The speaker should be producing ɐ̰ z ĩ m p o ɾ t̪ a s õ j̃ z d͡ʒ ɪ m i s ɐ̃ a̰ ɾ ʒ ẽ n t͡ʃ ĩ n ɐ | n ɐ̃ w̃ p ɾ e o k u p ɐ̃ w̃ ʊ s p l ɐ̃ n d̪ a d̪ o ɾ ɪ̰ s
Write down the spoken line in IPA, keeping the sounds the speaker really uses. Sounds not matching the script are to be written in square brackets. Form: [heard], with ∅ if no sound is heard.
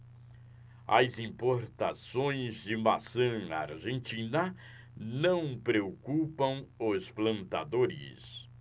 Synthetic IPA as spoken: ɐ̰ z ĩ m p o ɾ t̪ a s õ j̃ z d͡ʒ ɪ m [a] s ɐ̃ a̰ ɾ ʒ ẽ n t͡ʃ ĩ n ɐ | n ɐ̃ w̃ p ɾ e o k u p ɐ̃ w̃ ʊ s p l ɐ̃ n [t̪] a d̪ o ɾ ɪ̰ s